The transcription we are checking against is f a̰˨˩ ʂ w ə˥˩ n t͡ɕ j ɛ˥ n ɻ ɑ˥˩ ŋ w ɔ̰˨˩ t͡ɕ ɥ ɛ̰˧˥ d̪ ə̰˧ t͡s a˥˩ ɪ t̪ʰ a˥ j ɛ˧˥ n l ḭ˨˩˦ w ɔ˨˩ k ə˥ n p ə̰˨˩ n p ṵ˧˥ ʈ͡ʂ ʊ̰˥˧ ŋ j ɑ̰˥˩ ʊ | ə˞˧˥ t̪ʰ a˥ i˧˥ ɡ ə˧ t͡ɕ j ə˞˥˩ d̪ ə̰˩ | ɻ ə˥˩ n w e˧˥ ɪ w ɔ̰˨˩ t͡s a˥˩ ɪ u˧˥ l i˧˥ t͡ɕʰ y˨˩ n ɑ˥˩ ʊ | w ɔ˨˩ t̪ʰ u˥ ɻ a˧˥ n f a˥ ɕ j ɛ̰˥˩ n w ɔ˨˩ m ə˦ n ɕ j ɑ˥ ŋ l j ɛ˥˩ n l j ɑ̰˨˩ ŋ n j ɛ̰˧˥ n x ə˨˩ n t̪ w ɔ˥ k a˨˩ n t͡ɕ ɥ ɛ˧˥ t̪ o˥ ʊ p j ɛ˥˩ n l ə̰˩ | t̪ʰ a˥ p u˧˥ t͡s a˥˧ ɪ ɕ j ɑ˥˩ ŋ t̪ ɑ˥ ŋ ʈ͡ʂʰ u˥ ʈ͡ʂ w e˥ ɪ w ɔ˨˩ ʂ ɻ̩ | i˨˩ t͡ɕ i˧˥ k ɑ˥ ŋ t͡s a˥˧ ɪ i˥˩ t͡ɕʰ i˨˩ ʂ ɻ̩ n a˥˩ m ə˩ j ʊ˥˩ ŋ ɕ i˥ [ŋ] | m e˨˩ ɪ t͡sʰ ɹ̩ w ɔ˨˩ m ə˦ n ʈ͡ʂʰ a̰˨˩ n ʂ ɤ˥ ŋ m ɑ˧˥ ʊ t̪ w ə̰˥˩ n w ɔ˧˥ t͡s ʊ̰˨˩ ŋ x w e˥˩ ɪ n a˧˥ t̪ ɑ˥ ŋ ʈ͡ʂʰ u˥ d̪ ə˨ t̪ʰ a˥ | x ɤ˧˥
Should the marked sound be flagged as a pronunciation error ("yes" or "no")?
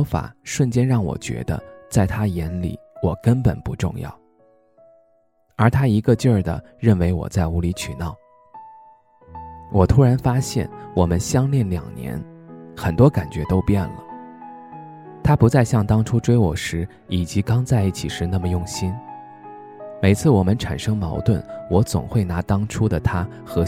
yes